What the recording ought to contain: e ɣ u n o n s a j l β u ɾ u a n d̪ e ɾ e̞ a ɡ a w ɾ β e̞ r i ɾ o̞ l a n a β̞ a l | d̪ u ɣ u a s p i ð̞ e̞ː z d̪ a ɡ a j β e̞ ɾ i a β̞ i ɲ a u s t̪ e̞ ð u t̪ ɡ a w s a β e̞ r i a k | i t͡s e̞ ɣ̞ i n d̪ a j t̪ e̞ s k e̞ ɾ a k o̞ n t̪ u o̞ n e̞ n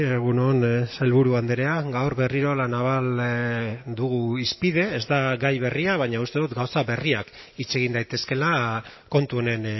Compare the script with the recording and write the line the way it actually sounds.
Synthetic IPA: e ɣ u n o n s a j l β u ɾ u a n d̪ e ɾ e̞ a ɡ a w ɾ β e̞ r i ɾ o̞ l a n a β̞ a l | d̪ u ɣ u i s p i ð̞ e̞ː z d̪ a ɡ a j β e̞ r i a β̞ a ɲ a u s t̪ e̞ ð u t̪ ɡ a w s a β e̞ r i a k | i t͡s e̞ ɣ̞ i n d̪ a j t̪ e̞ s k e̞ l a k o̞ n t̪ u o̞ n e̞ n